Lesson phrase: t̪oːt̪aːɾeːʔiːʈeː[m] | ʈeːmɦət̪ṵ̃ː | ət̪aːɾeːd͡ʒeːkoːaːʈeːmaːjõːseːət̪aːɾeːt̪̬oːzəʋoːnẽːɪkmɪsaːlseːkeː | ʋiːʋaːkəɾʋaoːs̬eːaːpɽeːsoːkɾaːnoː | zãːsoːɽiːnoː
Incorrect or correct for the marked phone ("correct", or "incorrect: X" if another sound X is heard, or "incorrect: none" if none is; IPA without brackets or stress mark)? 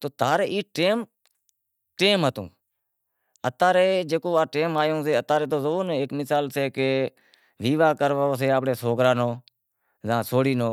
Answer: correct